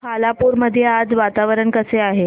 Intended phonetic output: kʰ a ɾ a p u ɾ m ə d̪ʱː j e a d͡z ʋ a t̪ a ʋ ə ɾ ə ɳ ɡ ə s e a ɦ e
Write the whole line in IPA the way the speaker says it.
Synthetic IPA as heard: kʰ a l a p u ɾ m ə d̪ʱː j e a d͡z ʋ a t̪ a ʋ ə ɾ ə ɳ k ə s e a ɦ e